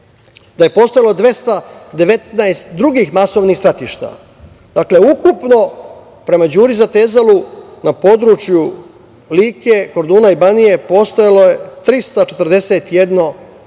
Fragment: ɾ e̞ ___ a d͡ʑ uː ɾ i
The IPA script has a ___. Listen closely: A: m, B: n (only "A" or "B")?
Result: A